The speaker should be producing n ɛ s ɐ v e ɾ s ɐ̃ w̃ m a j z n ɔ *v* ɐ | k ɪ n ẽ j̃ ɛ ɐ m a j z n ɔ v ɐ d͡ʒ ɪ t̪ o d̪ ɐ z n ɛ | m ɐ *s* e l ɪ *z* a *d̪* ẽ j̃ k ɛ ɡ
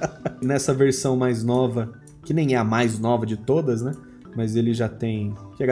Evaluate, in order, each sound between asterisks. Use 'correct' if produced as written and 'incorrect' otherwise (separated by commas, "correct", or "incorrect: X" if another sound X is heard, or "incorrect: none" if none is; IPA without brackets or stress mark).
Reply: correct, incorrect: z, incorrect: ʒ, incorrect: t̪